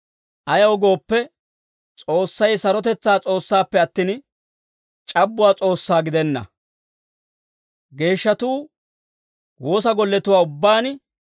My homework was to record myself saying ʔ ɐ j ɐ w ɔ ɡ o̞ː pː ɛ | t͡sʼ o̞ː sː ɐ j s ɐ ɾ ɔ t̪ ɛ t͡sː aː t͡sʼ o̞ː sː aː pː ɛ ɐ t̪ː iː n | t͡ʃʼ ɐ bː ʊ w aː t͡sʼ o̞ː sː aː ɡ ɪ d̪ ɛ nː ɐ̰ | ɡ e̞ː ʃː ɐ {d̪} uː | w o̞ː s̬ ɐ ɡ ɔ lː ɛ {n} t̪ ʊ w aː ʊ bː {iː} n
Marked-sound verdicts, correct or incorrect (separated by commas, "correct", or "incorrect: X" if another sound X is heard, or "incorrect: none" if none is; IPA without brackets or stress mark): incorrect: t̪, incorrect: none, incorrect: aː